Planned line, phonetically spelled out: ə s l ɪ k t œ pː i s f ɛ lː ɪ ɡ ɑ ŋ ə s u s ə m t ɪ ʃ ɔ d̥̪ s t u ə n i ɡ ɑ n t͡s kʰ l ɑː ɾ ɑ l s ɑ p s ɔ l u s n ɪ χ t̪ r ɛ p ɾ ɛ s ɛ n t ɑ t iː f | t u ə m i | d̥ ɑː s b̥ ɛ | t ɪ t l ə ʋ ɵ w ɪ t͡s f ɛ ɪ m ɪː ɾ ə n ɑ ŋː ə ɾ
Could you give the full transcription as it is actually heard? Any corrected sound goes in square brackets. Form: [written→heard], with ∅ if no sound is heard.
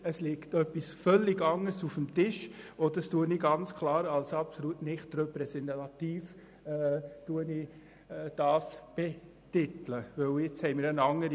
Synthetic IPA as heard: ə s l ɪ k t œ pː i s f [ɛ→œ] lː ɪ ɡ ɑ ŋ ə s u [s→f] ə m t ɪ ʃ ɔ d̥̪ s t u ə n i ɡ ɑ n t͡s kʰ l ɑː ɾ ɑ l s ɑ p s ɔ l u [s→t] n ɪ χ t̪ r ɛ p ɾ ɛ s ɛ n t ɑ t iː f | t u ə [m→n] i | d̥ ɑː s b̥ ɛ | t ɪ t l ə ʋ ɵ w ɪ t͡s [f→h] ɛ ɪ m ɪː ɾ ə n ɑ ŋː ə ɾ